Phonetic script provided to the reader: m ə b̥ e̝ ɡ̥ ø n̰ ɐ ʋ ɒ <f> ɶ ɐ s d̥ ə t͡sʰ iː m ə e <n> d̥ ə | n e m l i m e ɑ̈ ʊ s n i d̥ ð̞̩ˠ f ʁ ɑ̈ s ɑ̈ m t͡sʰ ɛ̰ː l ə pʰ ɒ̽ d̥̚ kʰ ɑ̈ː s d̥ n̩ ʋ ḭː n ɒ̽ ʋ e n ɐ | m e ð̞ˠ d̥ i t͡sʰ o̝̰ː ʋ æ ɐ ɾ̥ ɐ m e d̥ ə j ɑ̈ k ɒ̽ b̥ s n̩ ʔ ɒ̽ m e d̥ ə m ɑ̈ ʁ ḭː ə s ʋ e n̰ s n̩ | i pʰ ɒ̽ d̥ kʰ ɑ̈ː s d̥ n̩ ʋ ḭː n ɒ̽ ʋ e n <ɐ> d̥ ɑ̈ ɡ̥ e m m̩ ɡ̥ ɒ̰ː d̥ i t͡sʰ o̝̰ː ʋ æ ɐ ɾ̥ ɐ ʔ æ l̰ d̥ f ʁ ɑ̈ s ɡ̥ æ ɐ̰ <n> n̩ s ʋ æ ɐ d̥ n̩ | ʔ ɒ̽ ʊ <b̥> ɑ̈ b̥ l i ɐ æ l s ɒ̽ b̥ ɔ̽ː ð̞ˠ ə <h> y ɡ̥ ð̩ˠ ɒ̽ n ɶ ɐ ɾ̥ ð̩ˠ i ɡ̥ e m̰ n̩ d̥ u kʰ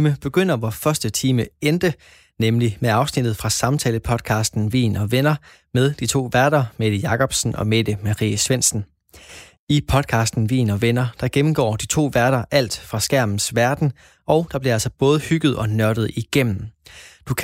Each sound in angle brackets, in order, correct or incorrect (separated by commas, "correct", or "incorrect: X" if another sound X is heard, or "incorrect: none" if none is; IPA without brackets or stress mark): correct, correct, correct, incorrect: m, incorrect: d̥, correct